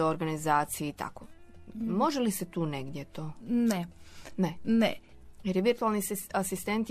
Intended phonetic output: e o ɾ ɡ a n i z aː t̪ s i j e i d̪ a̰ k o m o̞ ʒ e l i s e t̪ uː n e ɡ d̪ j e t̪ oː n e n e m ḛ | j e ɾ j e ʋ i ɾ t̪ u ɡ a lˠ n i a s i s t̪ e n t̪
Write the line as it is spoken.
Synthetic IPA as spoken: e o ɾ ɡ a n i z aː t̪ s i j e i t̪ a̰ k o m o̞ ʒ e l i s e t̪ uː n e ɡ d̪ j e t̪ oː n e n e n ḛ | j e ɾ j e ʋ i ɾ t̪ u a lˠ n i a s i s t̪ e n t̪